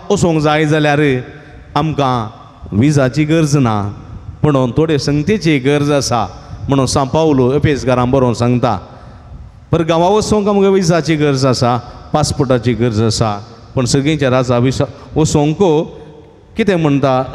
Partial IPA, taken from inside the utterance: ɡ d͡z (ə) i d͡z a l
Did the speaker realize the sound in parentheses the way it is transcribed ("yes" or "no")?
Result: no